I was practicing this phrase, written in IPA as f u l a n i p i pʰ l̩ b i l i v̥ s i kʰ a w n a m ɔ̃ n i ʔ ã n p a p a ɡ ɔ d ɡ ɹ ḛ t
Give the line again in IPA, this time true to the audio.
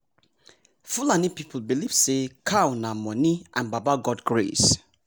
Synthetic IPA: f u l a n i p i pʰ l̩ b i l i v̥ s e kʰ a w n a m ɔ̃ n i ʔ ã n b a b a ɡ ɔ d ɡ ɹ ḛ s